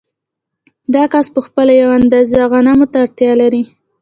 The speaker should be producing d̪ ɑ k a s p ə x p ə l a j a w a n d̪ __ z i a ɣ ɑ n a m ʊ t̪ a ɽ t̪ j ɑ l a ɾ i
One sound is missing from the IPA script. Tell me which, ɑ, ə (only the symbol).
ɑ